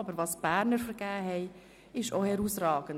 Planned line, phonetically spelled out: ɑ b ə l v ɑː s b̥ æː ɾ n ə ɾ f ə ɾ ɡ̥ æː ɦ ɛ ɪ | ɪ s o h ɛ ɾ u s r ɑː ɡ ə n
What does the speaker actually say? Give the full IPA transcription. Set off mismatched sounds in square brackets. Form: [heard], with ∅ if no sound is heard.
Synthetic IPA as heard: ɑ b ə [ɾ] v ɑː s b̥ æː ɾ n ə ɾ f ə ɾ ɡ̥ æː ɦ ɛ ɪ | ɪ [ʃ] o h ɛ ɾ u s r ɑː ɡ ə n